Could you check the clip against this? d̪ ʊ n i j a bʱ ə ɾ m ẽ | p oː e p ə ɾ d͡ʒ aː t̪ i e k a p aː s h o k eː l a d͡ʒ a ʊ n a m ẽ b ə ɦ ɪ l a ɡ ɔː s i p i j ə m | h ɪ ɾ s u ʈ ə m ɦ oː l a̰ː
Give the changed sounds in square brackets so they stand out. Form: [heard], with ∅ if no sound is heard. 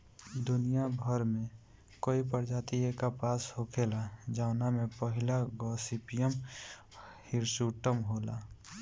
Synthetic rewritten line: d̪ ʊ n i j a bʱ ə ɾ m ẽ | [k] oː [i] p ə ɾ d͡ʒ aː t̪ i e k a p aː s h o [kʰ] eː l a d͡ʒ a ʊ n a m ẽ [p] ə ɦ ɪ l a ɡ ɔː s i p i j ə m | h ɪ ɾ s u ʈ ə m ɦ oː l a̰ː